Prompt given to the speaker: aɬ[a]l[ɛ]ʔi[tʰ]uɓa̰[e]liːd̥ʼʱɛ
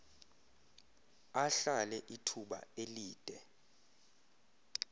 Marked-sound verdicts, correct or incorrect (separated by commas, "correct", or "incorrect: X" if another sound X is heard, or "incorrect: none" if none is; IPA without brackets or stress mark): correct, correct, correct, correct